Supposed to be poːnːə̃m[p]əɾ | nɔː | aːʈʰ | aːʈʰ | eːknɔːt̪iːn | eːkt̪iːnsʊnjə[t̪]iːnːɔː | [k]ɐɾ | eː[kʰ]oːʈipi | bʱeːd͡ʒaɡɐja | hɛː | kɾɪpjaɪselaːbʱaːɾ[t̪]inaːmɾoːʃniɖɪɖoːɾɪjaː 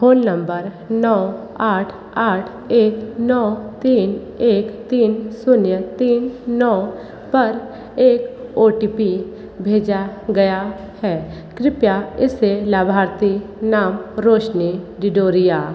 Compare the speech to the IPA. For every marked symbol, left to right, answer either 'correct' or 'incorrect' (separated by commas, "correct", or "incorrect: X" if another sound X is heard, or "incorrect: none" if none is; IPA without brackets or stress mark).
incorrect: b, correct, incorrect: p, incorrect: k, correct